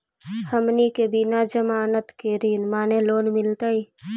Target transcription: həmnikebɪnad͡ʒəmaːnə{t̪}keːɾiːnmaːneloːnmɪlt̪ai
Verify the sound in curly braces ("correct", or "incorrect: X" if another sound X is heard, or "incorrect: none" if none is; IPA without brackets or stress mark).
correct